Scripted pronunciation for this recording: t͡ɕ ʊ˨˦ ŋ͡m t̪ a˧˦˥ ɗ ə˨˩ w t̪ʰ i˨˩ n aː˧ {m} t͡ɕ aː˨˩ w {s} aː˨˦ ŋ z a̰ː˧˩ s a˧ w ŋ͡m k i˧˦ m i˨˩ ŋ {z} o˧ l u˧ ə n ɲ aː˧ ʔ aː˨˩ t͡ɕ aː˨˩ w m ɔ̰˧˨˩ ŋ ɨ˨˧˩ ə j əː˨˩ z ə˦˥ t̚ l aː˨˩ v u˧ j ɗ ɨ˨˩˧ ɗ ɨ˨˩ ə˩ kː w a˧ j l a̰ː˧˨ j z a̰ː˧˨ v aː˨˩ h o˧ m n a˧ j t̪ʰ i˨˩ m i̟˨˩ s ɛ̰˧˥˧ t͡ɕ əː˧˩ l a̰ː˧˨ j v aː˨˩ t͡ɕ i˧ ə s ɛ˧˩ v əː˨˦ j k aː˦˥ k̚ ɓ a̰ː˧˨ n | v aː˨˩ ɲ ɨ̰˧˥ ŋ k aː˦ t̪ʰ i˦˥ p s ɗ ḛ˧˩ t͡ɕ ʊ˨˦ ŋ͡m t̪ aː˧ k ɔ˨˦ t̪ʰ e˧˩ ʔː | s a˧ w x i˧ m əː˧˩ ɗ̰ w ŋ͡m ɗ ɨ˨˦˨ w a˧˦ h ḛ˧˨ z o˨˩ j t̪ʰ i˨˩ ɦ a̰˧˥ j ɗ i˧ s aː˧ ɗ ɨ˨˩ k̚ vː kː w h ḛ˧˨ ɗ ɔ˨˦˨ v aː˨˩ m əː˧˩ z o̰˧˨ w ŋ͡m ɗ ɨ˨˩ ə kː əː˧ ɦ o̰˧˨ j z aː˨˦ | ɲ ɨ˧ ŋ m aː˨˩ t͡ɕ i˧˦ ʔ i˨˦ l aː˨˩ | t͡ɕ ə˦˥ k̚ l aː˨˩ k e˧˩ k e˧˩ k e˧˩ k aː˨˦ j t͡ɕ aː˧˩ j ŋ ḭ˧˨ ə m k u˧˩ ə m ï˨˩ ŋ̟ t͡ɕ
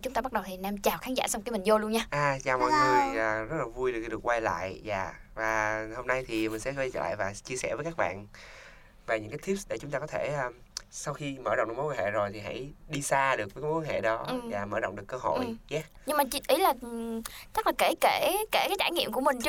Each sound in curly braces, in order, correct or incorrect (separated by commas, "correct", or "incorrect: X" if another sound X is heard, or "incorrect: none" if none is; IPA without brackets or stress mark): correct, incorrect: x, correct